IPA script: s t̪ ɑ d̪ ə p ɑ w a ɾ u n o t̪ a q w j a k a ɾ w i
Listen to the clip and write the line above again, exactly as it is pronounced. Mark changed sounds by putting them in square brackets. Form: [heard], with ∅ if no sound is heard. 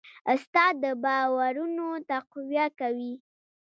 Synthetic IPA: s t̪ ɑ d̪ ə [b] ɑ w a ɾ u n o t̪ a q w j a k a [∅] w i